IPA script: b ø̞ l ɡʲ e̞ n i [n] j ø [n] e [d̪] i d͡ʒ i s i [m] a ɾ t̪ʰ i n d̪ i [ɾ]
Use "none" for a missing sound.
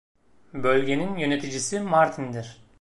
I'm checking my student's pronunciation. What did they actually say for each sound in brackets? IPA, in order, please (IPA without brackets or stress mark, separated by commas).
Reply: n, n, t̪, m, ɾ